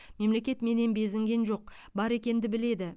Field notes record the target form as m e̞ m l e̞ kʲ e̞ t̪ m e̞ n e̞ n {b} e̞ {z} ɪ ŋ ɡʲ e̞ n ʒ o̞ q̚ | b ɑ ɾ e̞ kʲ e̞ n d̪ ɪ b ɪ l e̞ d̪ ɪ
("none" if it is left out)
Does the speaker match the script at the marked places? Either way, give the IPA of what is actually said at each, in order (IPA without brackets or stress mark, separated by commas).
b, z